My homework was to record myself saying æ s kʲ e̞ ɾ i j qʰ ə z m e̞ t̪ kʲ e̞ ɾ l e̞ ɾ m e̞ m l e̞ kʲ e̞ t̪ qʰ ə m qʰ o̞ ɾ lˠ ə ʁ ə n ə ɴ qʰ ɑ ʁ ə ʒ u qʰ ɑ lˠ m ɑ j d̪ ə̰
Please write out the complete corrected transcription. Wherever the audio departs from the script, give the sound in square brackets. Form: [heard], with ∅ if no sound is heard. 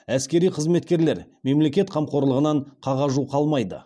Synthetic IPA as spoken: æ s kʲ e̞ ɾ i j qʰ ə z m e̞ t̪ kʲ e̞ ɾ l e̞ ɾ m e̞ m l e̞ kʲ e̞ t̪ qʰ [ɑ] m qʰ o̞ ɾ lˠ ə ʁ ə n [ɑ] ɴ qʰ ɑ ʁ [ɑ] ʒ u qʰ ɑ lˠ m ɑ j d̪ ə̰